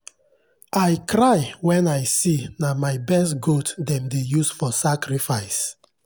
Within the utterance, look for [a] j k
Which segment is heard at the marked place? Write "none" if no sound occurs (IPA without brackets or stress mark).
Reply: a